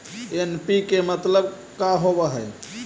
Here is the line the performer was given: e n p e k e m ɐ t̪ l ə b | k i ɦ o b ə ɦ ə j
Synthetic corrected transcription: e n p i k e m ə t̪ l ə b | k a ɦ o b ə ɦ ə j